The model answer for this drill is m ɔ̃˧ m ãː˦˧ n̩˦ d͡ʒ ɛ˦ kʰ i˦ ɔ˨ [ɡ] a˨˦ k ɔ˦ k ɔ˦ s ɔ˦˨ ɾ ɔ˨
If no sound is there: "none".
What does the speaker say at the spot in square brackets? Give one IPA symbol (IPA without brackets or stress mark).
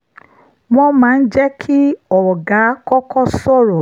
ɡ